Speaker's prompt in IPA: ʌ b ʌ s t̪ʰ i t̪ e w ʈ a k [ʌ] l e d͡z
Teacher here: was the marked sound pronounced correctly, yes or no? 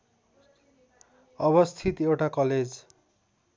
yes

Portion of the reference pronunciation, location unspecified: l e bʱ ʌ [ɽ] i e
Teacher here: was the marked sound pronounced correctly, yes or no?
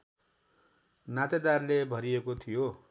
no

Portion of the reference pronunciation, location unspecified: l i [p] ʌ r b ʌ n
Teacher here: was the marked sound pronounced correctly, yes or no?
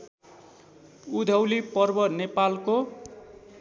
yes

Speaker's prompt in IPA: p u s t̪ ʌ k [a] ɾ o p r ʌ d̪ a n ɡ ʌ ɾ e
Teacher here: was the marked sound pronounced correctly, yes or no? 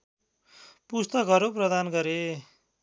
no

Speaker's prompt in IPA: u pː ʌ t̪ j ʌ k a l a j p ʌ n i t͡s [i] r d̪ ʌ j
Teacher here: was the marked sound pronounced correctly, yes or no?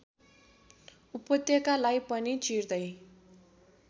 yes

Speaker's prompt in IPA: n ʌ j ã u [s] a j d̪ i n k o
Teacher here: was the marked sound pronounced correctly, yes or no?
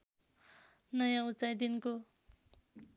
no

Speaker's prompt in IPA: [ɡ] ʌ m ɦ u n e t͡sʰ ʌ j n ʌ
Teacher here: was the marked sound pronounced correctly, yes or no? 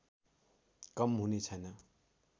no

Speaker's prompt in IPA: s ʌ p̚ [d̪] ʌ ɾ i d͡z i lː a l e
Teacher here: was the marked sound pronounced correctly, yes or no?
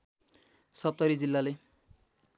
no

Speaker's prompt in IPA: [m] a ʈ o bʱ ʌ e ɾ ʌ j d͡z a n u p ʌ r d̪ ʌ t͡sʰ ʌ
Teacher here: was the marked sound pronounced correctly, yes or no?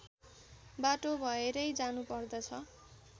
no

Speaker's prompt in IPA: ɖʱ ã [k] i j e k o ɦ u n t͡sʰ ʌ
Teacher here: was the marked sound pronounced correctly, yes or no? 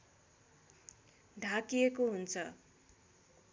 yes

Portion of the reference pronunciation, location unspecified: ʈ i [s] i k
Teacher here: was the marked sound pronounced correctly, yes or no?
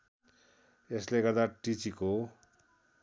no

